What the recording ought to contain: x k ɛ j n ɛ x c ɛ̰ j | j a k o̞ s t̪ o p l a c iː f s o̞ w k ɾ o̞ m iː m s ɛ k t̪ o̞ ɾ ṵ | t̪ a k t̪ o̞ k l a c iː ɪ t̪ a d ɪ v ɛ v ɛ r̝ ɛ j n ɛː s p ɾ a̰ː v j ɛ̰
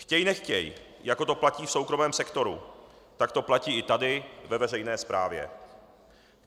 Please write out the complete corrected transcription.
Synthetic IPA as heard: x c ɛ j n ɛ x c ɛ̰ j | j a k o̞ t̪ o p l a c iː f s o̞ w k ɾ o̞ m ɛː m s ɛ k t̪ o̞ ɾ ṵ | t̪ a k t̪ o̞ p l a c iː ɪ t̪ a d ɪ v ɛ v ɛ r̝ ɛ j n ɛː s p ɾ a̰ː v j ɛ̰